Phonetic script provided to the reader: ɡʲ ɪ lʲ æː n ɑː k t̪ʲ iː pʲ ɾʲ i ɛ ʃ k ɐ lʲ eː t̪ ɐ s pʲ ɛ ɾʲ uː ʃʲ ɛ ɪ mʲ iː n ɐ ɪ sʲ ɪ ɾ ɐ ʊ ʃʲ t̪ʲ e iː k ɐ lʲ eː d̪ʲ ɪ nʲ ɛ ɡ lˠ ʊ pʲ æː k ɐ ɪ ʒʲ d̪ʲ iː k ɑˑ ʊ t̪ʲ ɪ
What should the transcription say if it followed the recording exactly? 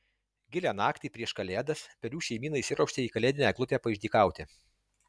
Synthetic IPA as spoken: ɡʲ ɪ lʲ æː n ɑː k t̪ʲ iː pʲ ɾʲ i ɛ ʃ k ɐ lʲ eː d̪ ɐ s pʲ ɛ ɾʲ uː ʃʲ ɛ ɪ mʲ iː n ɐ ɪ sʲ ɪ ɾ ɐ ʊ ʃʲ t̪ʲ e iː k ɐ lʲ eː d̪ʲ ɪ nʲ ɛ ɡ lˠ ʊ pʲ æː p ɐ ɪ ʒʲ d̪ʲ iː k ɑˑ ʊ t̪ʲ ɪ